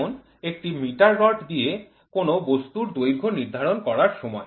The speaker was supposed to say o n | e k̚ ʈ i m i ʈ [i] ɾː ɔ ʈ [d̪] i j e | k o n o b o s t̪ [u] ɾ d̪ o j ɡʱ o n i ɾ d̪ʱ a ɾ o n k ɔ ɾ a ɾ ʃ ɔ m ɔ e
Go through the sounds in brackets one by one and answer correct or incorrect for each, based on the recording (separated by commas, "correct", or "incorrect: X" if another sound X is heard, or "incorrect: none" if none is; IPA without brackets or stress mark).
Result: incorrect: a, correct, correct